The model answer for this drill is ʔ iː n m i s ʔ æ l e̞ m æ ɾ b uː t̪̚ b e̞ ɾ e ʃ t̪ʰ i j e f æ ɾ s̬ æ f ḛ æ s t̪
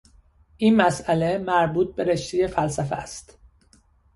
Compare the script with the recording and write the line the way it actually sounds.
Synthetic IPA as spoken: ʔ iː n m æ s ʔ æ l e̞ m æ ɾ b uː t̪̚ b e̞ ɾ e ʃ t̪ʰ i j e f æ l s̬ æ f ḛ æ s t̪